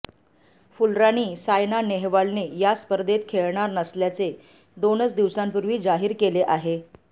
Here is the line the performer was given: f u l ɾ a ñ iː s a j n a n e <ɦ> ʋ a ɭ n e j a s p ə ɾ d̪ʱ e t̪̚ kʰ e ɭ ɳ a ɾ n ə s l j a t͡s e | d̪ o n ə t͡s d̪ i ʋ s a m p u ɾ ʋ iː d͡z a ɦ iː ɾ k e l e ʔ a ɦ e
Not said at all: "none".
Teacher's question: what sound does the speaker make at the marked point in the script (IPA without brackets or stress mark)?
ɦ